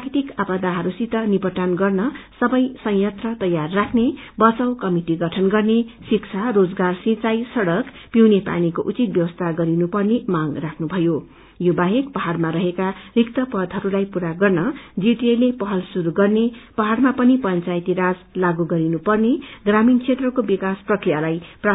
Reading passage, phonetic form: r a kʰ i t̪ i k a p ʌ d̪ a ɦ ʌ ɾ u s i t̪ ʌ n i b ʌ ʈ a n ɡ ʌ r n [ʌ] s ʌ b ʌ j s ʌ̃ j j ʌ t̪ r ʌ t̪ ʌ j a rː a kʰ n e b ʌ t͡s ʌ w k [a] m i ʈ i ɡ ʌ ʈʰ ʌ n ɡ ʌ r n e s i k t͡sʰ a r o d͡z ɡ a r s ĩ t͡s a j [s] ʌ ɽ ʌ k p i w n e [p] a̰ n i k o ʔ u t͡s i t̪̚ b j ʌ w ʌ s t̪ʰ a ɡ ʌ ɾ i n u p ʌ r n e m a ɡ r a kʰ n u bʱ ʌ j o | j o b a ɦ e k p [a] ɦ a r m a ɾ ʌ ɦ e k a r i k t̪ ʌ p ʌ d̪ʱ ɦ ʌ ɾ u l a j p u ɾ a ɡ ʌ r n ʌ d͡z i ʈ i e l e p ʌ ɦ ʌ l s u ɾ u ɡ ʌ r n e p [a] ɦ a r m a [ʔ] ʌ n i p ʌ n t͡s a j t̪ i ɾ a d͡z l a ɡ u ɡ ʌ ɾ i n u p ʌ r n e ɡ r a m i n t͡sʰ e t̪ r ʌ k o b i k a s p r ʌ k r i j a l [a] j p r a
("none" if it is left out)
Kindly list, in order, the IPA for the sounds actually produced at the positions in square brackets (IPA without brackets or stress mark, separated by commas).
ʌ, ʌ, s, p, ʌ, ʌ, p, a